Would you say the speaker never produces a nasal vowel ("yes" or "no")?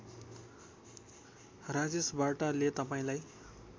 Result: no